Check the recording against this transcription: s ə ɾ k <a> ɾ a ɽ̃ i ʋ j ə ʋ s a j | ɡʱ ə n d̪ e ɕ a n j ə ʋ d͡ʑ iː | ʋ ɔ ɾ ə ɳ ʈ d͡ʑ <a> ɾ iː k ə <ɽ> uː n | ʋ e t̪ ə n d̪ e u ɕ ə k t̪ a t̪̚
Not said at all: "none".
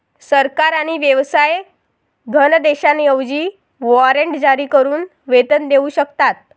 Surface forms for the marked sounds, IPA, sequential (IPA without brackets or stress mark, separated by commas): a, a, ɾ